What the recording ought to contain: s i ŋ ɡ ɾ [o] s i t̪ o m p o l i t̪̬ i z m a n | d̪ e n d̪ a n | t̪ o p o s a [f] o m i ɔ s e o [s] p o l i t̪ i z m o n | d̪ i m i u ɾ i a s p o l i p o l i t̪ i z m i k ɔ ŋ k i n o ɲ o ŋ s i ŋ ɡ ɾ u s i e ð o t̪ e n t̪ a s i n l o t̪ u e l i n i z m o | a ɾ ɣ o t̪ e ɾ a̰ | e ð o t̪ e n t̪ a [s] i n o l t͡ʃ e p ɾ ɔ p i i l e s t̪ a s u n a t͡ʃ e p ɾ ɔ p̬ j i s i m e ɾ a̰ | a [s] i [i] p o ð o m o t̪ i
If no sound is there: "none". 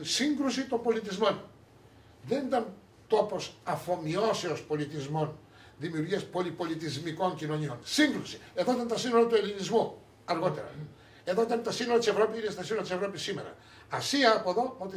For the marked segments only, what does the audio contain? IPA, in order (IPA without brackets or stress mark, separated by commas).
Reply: u, f, s, s, s, a